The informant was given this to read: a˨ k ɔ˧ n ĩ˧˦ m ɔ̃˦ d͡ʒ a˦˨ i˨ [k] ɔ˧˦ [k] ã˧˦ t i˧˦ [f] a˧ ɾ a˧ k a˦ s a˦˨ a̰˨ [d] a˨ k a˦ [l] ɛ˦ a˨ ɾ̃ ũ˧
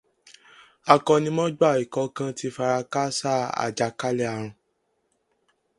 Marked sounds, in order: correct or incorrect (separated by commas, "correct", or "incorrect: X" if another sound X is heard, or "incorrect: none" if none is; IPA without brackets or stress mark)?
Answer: correct, correct, correct, incorrect: d͡ʒ, correct